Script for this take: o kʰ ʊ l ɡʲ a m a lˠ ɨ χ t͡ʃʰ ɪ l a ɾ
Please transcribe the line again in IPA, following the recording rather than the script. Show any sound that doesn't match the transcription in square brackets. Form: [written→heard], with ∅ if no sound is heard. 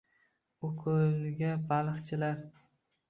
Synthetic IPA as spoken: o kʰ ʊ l ɡʲ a [m→b] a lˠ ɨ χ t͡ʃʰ ɪ l a ɾ